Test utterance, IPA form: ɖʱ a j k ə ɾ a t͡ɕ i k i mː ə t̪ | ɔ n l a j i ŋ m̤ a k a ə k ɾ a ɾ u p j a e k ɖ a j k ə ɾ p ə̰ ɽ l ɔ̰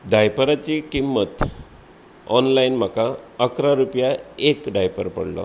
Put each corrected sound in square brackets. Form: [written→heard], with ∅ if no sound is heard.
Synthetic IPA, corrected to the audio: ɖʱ a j [k→p] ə ɾ a t͡ɕ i k i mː ə t̪ | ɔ n l a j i [ŋ→n] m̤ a k a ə k ɾ a ɾ u p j a e k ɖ a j [k→p] ə ɾ p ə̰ ɽ l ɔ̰